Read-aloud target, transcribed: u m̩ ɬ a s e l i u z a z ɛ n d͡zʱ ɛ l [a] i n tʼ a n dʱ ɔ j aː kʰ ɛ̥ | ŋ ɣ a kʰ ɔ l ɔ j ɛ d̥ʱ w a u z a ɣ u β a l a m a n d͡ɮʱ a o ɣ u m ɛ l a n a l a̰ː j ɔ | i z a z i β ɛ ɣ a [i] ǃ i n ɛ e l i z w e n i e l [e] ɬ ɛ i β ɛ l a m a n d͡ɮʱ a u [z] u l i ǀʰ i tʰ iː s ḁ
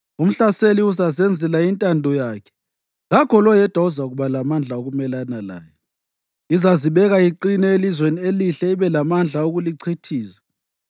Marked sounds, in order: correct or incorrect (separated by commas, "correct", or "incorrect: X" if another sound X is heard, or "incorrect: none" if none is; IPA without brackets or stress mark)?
correct, correct, incorrect: i, incorrect: ɣ